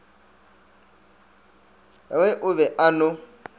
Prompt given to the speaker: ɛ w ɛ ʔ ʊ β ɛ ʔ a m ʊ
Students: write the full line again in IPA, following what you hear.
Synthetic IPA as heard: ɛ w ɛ ʔ ʊ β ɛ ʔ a n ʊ

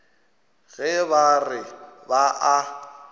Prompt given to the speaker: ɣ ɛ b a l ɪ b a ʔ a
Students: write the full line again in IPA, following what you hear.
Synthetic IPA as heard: ɣ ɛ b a r ɪ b a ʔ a

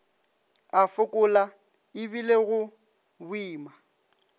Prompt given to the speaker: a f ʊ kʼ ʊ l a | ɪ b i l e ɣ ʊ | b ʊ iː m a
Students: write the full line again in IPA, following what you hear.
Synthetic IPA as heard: a f ʊ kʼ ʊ l a | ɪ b i l e ɣ ʊ | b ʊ iː m a

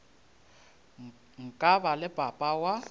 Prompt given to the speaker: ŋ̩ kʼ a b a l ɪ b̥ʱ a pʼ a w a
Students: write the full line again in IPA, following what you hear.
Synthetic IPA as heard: ŋ̩ kʼ a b a l ɪ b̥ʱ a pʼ a w a

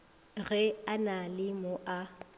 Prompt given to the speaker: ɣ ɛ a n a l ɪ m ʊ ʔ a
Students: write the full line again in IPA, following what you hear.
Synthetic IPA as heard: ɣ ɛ a n a l ɪ m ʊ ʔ a

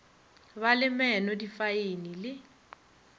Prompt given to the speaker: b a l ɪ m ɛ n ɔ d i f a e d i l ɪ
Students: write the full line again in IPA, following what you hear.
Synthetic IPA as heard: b a l ɪ m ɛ n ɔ d i f a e n i l ɪ

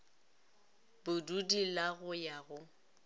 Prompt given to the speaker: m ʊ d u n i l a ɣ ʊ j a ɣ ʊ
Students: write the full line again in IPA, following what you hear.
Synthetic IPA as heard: b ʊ d u d i l a ɣ ʊ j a ɣ ʊ

